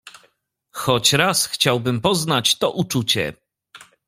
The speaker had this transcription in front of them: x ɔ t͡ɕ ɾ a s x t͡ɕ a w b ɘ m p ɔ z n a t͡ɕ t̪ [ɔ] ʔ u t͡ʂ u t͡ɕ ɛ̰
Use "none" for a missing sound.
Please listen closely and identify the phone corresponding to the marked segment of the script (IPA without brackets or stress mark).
ɔ